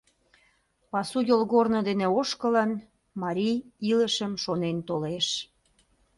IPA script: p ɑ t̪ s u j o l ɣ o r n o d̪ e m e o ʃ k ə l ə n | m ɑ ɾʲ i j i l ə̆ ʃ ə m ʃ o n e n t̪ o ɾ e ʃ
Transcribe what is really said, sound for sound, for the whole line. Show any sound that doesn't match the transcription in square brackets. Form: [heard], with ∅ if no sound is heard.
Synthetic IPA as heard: p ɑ [∅] s u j o l ɣ o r n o d̪ e [n] e o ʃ k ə l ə n | m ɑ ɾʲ i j i l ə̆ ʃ ə m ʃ o n e n t̪ o [l] e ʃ